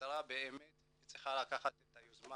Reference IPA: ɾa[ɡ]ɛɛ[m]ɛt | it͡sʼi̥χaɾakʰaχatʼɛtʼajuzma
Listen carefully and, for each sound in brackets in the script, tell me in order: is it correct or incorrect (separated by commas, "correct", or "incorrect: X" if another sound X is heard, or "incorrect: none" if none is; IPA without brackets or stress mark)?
incorrect: b, correct